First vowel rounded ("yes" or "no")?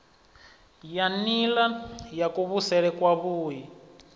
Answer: no